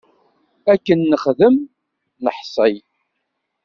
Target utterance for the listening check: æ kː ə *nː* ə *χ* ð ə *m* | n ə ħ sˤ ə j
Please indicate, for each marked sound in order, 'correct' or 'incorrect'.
correct, correct, correct

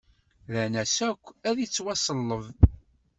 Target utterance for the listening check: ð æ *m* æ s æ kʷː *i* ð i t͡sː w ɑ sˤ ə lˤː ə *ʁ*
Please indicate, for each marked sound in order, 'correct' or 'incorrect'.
incorrect, incorrect, incorrect

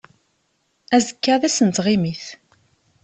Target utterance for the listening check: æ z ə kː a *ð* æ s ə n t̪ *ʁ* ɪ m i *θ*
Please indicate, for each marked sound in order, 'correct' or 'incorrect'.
correct, correct, correct

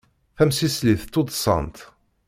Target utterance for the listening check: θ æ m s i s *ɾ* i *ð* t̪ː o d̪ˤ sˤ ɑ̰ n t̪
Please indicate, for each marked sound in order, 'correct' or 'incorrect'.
incorrect, incorrect

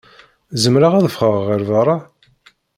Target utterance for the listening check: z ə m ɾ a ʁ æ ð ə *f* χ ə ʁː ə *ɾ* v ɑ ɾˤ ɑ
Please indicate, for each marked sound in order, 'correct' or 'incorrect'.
correct, correct

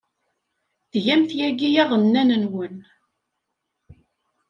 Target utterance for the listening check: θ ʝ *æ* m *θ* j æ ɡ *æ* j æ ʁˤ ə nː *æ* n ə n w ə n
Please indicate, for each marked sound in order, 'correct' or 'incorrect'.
correct, correct, incorrect, correct

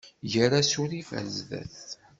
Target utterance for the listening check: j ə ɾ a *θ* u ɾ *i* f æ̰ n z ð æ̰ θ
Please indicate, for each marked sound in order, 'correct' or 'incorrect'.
incorrect, correct

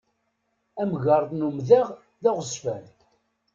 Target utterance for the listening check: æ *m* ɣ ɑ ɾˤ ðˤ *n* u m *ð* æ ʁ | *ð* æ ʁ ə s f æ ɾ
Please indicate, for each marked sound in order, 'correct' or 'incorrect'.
correct, correct, correct, correct

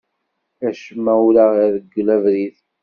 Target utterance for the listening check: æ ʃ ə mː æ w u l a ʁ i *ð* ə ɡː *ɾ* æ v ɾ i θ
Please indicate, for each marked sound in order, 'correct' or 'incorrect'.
correct, incorrect

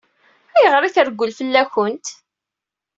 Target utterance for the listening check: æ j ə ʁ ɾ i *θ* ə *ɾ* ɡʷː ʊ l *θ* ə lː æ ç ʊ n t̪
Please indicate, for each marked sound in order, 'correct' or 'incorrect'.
correct, correct, incorrect

